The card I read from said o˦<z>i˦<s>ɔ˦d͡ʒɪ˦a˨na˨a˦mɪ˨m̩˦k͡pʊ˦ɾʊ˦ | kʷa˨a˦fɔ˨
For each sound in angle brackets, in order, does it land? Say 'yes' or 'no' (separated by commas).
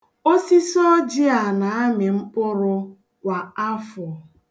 no, yes